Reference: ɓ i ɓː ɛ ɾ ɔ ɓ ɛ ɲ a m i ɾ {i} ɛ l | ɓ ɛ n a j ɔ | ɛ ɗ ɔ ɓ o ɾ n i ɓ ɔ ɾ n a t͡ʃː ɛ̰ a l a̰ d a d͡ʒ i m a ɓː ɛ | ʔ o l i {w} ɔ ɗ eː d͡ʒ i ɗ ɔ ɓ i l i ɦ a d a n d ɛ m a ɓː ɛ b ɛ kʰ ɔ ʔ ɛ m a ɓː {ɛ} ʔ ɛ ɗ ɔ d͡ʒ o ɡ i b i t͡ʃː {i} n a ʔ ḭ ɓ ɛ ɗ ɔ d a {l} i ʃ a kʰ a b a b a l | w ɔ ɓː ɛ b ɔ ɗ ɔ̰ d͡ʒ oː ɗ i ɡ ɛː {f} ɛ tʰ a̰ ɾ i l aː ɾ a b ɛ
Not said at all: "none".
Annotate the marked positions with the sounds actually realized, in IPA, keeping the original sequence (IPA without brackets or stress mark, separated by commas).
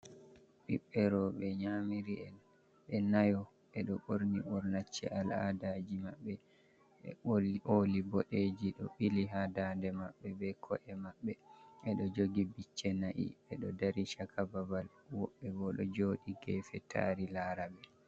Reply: i, b, ɛ, ɛ, ɾ, f